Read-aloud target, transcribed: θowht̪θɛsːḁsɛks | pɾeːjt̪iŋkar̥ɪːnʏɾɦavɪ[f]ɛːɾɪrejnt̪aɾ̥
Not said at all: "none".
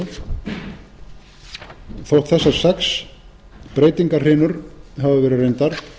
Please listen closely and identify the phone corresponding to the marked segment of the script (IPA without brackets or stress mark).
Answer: v